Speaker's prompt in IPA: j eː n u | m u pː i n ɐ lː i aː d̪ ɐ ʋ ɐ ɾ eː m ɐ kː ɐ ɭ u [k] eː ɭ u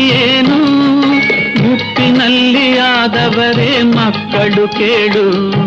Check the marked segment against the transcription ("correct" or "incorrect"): correct